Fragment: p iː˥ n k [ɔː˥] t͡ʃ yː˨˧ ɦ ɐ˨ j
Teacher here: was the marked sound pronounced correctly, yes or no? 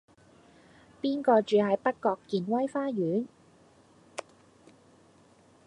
no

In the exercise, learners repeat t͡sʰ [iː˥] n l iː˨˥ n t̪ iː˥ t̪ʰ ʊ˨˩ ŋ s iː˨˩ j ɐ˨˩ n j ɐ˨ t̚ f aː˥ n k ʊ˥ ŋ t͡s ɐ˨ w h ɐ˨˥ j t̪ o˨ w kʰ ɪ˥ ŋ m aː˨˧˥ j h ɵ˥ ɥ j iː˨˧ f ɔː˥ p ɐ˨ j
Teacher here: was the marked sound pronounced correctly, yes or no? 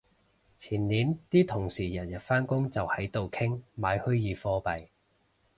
no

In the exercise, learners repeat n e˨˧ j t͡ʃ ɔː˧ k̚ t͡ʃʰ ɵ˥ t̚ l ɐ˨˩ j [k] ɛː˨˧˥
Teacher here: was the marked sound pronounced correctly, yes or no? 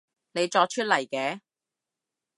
yes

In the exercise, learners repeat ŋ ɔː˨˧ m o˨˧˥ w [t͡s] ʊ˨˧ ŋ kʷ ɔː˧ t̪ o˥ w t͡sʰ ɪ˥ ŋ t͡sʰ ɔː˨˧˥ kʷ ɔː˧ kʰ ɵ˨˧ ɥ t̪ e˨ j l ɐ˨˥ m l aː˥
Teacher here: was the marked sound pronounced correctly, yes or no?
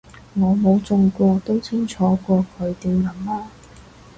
yes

